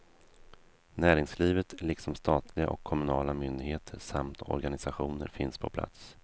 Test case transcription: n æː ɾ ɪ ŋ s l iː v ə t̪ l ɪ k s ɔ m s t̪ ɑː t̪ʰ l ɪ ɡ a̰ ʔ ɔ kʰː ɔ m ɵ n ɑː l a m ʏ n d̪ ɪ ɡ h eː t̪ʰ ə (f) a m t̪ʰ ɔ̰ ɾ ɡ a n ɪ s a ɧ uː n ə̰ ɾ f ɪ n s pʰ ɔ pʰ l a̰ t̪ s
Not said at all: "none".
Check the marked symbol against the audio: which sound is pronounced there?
ʂ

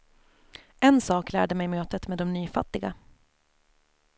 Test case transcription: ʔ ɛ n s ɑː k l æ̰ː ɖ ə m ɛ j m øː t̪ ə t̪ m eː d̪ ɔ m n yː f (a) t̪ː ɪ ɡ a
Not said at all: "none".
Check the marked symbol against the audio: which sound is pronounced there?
a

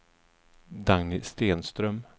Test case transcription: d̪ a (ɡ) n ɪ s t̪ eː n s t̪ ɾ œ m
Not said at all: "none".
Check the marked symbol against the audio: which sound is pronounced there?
ŋ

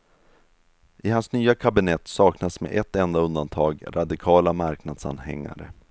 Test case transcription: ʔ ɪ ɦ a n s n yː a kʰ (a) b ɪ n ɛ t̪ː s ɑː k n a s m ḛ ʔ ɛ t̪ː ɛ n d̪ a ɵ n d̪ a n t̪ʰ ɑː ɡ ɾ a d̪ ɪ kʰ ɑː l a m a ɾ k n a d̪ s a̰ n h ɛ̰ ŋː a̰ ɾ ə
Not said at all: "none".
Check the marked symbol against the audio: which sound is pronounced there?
a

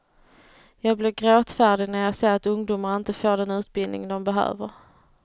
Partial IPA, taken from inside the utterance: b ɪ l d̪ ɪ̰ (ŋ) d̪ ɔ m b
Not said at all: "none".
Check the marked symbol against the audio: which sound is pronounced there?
ŋ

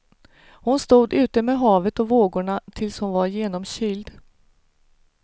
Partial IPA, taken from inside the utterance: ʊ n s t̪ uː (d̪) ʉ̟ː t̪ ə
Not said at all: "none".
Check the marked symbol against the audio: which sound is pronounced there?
d̪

